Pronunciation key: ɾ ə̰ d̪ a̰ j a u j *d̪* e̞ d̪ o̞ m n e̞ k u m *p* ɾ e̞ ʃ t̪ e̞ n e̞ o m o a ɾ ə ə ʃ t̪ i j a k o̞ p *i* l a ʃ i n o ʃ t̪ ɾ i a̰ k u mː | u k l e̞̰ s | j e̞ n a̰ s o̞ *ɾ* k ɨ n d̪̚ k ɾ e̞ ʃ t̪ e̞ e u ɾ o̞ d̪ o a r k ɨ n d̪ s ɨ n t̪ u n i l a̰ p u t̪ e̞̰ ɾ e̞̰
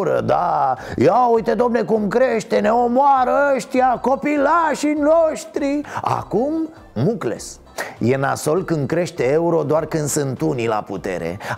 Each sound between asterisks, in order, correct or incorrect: incorrect: t̪, incorrect: k, correct, incorrect: l

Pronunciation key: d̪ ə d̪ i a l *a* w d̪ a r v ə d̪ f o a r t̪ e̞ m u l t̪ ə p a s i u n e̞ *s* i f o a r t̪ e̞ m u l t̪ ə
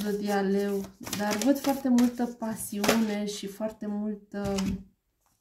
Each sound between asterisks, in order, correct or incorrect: incorrect: e, incorrect: ʃ

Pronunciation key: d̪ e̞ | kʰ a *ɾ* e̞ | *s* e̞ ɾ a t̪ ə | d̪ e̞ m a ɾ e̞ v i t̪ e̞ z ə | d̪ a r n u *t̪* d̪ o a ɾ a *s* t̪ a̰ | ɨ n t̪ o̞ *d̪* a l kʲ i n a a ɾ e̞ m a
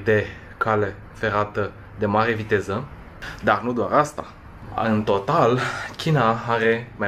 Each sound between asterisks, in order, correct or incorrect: incorrect: l, incorrect: f, incorrect: none, correct, incorrect: t̪

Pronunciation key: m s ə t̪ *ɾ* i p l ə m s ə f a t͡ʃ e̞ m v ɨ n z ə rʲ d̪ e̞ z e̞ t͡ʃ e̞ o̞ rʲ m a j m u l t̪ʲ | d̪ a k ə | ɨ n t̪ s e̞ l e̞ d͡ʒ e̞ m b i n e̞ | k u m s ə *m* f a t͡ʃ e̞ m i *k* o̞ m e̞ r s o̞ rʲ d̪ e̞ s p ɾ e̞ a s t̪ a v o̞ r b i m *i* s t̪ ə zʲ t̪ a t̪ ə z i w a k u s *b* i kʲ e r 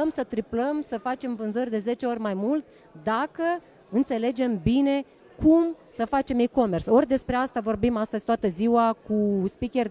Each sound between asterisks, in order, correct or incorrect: correct, incorrect: none, correct, incorrect: a, incorrect: p

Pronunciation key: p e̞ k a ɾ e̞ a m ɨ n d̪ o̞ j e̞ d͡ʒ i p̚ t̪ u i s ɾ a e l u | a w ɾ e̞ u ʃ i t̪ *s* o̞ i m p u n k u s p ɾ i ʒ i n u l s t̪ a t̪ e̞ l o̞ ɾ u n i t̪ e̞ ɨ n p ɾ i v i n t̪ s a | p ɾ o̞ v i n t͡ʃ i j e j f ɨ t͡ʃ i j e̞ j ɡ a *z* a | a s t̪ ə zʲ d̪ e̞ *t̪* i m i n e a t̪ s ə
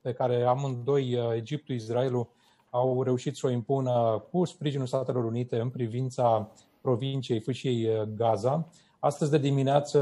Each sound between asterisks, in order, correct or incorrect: correct, correct, incorrect: d̪

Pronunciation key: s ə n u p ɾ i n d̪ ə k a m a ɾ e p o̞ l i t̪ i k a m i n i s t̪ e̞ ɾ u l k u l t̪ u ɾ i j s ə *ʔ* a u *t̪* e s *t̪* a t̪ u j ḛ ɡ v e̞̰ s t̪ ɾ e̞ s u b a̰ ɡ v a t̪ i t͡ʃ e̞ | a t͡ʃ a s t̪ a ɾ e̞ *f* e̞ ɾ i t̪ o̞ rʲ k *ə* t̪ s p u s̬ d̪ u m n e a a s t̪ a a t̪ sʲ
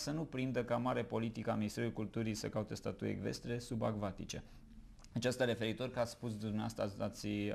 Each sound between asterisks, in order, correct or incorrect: incorrect: k, correct, correct, correct, incorrect: a

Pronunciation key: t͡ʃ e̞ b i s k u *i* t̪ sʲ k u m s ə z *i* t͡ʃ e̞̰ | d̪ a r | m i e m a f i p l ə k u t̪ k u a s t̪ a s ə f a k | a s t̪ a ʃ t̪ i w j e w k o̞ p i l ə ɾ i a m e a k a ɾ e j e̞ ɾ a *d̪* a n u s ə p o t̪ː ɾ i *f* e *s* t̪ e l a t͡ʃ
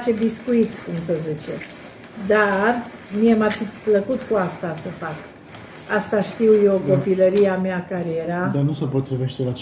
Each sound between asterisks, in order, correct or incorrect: correct, correct, correct, incorrect: v, incorrect: ʃ

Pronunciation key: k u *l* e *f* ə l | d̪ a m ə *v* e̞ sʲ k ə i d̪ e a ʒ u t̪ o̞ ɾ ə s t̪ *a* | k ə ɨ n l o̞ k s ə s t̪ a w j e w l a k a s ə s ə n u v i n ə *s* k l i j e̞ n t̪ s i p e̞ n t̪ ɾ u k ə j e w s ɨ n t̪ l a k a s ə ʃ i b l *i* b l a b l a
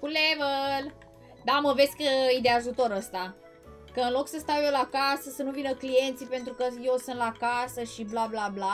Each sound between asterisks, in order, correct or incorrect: correct, incorrect: v, correct, correct, incorrect: none, incorrect: a

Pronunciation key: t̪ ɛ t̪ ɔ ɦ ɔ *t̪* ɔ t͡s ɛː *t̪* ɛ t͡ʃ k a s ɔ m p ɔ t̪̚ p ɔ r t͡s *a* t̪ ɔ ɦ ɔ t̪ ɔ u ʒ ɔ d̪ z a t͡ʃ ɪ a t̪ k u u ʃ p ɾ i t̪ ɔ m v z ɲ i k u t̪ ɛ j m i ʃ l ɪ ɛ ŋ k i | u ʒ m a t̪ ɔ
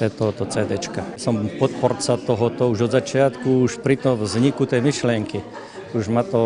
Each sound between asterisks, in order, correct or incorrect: correct, incorrect: d̪, correct

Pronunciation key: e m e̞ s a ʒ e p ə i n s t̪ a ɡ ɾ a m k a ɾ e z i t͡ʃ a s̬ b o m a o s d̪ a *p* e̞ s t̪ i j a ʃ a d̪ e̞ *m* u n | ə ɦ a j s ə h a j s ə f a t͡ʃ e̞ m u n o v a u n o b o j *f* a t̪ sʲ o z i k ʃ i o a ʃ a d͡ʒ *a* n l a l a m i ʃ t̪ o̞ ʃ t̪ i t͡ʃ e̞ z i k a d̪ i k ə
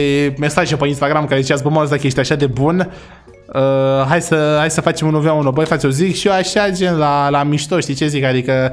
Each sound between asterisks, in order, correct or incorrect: incorrect: k, incorrect: b, correct, incorrect: e

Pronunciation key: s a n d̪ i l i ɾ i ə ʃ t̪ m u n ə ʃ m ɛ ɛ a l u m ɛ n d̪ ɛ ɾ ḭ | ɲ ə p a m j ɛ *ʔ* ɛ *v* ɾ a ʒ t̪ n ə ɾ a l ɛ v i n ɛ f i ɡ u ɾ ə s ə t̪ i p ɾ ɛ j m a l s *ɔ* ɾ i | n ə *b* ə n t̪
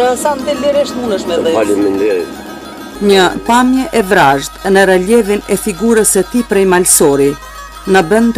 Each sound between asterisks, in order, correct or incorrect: correct, correct, correct, correct

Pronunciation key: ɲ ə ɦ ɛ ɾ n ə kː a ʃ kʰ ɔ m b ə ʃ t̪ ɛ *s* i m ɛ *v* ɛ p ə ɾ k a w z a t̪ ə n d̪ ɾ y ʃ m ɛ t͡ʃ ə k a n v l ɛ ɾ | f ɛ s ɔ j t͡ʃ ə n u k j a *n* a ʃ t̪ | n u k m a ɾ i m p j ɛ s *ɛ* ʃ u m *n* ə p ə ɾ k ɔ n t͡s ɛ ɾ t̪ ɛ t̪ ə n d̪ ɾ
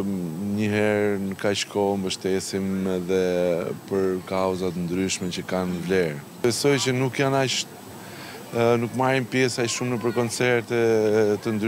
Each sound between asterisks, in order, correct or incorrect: correct, incorrect: ð, correct, incorrect: a, correct

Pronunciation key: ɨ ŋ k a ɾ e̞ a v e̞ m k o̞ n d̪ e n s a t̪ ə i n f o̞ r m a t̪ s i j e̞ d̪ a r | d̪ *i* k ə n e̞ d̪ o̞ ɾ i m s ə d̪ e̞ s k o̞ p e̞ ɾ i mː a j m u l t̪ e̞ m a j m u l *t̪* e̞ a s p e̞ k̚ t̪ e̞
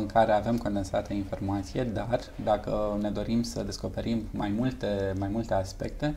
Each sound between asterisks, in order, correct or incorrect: incorrect: a, correct

